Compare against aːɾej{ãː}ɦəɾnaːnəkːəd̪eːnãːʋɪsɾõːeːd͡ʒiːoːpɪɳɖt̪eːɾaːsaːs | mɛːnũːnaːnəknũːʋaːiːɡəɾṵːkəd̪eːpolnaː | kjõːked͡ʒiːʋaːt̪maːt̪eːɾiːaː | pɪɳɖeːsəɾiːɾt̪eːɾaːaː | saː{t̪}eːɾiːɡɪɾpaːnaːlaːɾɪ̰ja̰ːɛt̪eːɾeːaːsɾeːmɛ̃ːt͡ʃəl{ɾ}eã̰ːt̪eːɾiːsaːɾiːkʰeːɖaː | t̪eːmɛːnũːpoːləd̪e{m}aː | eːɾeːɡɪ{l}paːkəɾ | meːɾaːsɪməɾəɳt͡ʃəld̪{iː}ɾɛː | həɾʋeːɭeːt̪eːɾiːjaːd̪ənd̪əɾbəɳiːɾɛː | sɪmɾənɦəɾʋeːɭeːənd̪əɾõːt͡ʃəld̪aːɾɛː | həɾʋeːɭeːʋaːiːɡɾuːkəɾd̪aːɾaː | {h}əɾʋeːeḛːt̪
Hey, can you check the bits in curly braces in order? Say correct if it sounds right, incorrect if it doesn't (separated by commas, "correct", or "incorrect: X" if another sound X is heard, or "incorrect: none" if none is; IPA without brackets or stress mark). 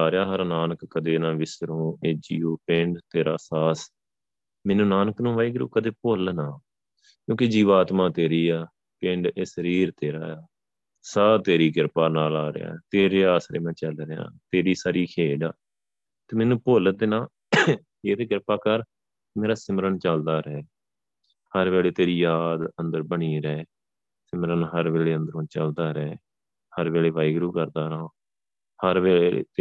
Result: incorrect: aː, correct, correct, incorrect: n, incorrect: ɾ, incorrect: aː, correct